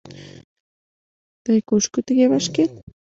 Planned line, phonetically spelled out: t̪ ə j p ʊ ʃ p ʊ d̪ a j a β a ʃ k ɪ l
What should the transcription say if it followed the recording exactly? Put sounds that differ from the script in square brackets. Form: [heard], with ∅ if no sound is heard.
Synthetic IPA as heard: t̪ [a] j [k] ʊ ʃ [k] ʊ [t̪] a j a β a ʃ k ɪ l